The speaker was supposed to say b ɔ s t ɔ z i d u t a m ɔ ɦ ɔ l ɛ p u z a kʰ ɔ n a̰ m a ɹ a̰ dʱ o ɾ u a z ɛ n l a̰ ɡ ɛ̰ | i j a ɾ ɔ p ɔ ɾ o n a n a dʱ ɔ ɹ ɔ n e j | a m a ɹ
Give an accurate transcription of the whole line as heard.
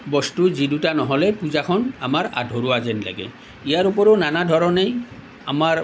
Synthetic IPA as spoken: b ɔ s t u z i d u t a n ɔ ɦ ɔ l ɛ p u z a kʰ ɔ n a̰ m a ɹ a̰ dʱ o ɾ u a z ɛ n l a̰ ɡ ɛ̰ | i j a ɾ u p ɔ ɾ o n a n a dʱ ɔ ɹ ɔ n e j | a m a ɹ